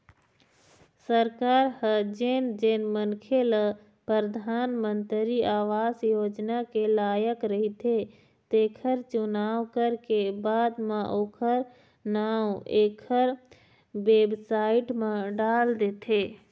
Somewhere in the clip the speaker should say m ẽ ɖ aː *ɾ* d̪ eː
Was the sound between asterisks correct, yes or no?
no